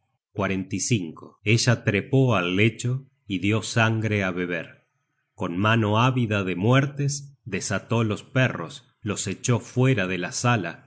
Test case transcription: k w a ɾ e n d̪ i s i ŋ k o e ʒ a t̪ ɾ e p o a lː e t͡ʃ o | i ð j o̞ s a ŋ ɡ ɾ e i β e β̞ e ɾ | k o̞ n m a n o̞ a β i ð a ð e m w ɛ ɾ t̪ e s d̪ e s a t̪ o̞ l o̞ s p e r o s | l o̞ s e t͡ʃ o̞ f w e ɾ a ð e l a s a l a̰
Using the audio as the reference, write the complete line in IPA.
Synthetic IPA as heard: k w a ɾ e n t̪ i s i ŋ k o e ʒ a t̪ ɾ e p o a lː e t͡ʃ o | i ð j o̞ s a ŋ ɡ ɾ e a β e β̞ e ɾ | k o̞ n m a n o̞ a β i ð a ð e m w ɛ ɾ t̪ e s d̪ e s a t̪ o̞ l o̞ s p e r o s | l o̞ s e t͡ʃ o̞ f w e ɾ a ð e l a s a l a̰